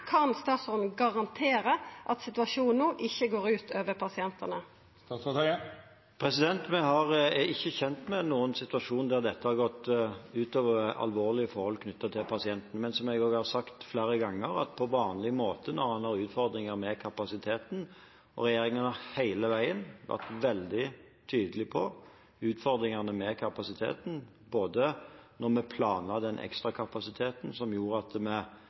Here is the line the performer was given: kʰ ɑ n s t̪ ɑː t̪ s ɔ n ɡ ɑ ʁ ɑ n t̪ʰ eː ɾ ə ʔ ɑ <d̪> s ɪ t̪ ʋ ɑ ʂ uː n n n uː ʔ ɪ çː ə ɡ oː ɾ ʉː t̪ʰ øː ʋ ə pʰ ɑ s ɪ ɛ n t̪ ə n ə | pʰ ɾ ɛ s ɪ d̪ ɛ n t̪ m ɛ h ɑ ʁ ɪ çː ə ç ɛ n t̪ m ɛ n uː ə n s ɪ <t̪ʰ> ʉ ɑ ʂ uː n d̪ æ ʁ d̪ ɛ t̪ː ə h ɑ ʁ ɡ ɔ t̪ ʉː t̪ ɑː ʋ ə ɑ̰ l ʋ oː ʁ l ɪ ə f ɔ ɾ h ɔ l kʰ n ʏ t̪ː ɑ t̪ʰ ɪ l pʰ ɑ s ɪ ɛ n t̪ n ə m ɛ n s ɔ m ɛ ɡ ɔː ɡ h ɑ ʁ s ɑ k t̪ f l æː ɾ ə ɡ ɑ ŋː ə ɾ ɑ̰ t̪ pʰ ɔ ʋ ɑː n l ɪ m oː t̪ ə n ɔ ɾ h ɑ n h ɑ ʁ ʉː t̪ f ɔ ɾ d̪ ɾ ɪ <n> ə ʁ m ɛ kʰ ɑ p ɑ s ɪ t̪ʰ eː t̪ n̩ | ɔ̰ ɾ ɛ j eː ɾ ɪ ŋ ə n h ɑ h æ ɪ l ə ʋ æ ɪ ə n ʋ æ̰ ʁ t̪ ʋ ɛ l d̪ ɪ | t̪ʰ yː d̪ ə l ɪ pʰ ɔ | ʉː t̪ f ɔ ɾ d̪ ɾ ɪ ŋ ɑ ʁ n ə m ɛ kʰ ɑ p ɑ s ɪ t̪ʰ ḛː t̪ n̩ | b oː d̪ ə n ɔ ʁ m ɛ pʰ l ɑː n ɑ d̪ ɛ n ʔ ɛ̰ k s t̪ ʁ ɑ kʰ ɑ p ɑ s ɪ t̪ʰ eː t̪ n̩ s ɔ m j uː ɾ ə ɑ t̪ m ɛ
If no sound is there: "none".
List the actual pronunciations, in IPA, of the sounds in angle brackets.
t̪, t̪, ŋ

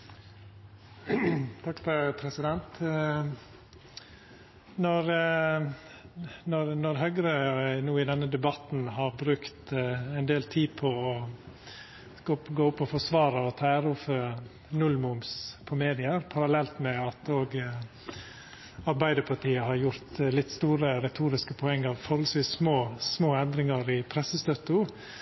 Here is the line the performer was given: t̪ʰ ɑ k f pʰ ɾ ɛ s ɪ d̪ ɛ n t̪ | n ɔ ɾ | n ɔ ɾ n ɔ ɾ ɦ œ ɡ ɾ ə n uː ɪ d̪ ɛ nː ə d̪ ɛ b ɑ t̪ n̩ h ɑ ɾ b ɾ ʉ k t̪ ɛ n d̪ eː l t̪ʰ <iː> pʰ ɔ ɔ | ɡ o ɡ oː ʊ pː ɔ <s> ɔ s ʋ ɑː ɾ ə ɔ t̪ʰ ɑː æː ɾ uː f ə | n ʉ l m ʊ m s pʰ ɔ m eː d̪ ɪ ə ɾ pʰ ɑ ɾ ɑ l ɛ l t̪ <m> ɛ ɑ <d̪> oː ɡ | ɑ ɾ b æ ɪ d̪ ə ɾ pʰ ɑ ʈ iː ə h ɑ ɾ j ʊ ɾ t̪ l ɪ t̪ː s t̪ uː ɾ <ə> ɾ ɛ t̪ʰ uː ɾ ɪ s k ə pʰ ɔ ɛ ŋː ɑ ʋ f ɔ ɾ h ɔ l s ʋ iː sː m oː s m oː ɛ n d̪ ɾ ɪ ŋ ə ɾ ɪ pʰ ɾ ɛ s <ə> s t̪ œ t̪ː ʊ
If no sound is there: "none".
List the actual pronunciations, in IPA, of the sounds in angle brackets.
iː, f, m, t̪, ə, ə

